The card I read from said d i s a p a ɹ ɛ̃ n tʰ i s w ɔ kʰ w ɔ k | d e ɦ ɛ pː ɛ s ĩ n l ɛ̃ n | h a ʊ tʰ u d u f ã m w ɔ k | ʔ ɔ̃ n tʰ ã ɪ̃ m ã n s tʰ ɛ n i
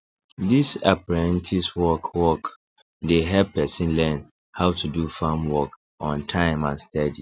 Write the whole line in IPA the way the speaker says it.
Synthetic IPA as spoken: d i s a p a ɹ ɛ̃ n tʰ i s w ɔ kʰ w ɔ k | d e ɦ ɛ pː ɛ s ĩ n l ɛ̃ n | h a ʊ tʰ u d u f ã m w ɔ k | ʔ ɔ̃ n tʰ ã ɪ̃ m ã n s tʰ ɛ d i